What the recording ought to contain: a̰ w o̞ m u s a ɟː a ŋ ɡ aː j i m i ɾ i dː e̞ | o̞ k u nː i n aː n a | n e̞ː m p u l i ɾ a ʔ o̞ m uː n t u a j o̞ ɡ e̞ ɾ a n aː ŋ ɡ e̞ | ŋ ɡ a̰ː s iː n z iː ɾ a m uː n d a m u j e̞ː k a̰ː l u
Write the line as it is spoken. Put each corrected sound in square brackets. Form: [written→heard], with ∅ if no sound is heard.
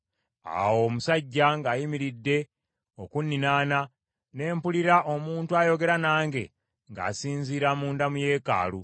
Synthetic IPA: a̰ w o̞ m u s a ɟː a ŋ ɡ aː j i m i ɾ i dː e̞ | o̞ k u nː i n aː n a | n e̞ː m p u l i ɾ a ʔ o̞ m uː n t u a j o̞ ɡ e̞ ɾ a n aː ŋ ɡ e̞ | ŋ ɡ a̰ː s iː n z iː ɾ a m uː n d a m u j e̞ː k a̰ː l u